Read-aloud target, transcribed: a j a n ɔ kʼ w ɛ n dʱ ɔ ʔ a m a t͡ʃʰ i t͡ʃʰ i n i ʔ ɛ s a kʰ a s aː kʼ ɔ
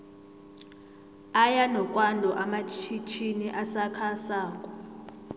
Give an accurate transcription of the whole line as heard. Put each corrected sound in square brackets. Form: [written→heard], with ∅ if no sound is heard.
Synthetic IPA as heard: a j a n ɔ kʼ w [ɛ→a] n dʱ ɔ ʔ a m a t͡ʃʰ i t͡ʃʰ i n i ʔ [ɛ→a] s a kʰ a s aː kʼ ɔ